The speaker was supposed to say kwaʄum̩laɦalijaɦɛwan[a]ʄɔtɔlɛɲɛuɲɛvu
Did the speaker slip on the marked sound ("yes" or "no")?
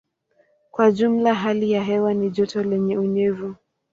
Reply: yes